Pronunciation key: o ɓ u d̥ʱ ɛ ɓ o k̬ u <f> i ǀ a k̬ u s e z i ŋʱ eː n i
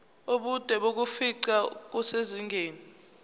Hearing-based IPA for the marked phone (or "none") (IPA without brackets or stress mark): f